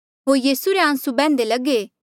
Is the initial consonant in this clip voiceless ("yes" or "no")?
no